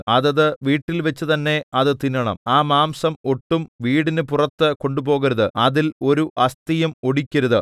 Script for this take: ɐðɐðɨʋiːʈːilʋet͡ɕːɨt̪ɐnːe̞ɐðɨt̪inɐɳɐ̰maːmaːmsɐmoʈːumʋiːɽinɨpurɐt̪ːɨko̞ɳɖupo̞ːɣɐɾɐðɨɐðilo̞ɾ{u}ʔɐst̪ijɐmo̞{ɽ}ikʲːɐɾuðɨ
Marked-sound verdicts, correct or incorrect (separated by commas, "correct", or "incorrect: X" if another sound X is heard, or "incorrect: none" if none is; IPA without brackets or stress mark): correct, correct